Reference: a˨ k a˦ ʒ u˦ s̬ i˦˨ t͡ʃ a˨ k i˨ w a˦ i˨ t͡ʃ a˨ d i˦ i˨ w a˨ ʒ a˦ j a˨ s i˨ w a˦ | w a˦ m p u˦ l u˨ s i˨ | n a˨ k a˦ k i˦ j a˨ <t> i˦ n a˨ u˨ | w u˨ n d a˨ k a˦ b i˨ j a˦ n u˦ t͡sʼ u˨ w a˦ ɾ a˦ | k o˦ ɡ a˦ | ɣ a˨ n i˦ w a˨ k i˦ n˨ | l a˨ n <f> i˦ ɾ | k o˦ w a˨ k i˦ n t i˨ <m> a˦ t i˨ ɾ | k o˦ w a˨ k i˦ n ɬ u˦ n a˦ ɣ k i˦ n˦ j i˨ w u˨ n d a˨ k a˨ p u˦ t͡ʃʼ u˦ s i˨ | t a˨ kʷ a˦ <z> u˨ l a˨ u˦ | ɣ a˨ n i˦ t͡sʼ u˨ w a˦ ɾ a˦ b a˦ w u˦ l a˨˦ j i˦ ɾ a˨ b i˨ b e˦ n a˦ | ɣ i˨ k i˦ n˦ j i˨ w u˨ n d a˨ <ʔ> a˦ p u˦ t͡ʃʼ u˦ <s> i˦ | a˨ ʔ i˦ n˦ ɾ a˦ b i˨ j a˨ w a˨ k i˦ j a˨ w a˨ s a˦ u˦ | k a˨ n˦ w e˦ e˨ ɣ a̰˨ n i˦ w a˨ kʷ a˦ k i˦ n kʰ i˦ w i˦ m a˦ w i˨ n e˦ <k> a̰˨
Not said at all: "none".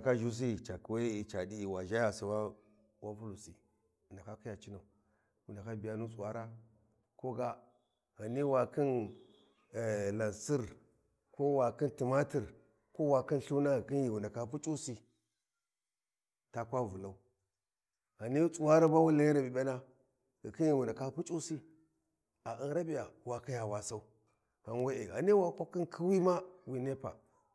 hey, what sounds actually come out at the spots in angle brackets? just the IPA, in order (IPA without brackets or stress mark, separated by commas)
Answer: t͡ʃ, s, m, v, k, s, p